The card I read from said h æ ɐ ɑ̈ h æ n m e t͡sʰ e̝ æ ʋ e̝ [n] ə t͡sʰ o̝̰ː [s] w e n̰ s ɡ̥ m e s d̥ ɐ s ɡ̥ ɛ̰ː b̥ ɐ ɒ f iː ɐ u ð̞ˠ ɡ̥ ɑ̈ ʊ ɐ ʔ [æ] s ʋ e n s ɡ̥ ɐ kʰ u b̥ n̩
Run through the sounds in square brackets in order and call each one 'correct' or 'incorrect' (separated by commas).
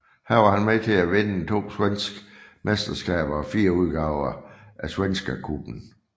correct, correct, correct